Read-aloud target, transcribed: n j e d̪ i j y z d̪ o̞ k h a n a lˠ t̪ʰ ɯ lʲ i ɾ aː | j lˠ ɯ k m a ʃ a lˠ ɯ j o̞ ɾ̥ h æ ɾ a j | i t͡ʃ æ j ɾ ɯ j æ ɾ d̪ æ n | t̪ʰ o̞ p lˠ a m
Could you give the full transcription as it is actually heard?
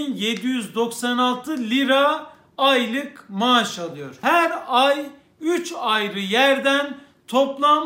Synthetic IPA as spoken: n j e d̪ i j y z d̪ o̞ k s a n a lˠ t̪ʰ ɯ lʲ i ɾ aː | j lˠ ɯ k m a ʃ a lˠ ɯ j o̞ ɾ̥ h æ ɾ a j | y t͡ʃ a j ɾ ɯ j æ ɾ d̪ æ n | t̪ʰ o̞ p lˠ a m